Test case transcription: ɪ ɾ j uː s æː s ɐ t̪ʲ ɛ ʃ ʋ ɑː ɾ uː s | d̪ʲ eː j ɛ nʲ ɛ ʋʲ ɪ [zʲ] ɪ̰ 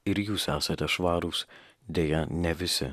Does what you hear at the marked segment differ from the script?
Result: yes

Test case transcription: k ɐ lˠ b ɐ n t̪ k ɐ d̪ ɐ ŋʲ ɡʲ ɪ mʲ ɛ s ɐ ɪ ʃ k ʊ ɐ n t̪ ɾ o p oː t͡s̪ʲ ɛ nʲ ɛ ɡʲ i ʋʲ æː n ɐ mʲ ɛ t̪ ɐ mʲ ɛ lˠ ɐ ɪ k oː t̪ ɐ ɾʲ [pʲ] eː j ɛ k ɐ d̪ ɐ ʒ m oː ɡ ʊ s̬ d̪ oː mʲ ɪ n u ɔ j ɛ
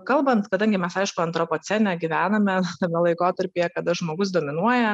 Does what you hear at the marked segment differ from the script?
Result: no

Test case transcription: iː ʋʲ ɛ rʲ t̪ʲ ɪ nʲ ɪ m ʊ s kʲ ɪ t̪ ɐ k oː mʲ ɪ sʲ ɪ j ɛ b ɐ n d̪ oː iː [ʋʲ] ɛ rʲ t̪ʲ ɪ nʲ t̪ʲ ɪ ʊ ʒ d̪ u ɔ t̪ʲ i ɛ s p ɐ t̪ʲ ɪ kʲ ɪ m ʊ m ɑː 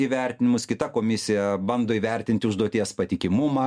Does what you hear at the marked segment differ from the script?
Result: no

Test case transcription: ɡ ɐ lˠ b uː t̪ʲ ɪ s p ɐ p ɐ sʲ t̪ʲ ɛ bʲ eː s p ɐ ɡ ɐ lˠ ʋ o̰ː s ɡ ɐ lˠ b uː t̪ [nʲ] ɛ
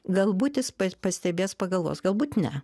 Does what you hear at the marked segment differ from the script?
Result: no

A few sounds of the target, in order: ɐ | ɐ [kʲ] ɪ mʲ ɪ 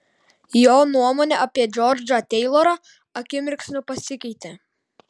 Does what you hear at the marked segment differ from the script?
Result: no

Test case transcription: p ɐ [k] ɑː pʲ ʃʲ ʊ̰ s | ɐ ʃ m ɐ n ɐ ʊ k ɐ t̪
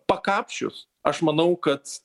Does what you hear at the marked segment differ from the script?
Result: no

